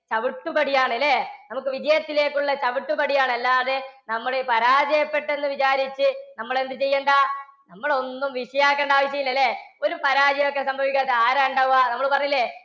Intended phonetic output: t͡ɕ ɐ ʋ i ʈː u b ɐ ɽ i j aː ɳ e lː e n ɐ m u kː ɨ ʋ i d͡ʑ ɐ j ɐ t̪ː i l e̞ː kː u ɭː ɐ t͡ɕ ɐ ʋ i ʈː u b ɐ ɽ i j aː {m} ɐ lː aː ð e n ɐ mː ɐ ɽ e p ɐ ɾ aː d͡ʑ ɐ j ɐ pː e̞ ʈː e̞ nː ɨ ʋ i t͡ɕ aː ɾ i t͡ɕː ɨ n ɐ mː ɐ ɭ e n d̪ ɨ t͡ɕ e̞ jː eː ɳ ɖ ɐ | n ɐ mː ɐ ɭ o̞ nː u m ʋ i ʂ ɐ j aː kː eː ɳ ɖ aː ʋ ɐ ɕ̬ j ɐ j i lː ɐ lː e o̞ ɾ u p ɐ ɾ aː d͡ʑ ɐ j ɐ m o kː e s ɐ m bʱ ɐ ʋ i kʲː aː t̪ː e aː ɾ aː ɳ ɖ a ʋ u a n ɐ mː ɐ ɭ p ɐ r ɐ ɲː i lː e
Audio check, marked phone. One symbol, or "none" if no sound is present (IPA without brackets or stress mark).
ɳ